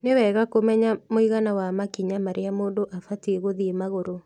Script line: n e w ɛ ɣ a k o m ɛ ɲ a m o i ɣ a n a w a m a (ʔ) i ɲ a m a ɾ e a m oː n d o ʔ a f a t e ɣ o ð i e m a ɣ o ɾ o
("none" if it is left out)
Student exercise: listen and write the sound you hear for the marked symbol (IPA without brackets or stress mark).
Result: k